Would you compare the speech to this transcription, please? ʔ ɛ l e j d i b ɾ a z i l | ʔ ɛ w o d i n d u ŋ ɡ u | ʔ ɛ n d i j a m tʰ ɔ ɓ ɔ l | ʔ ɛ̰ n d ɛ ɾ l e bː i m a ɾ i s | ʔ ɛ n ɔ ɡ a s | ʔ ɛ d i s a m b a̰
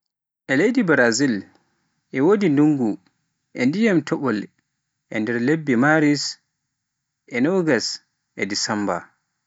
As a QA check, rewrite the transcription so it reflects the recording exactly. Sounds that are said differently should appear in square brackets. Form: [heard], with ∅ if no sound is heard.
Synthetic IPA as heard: ʔ ɛ l e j d i b ɾ a z i l | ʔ ɛ w o d i n d u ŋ ɡ u | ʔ ɛ n d i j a m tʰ ɔ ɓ ɔ l | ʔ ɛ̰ n d ɛ ɾ l e bː i m a ɾ i s | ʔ ɛ n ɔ ɡ a s | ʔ ɛ d i s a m b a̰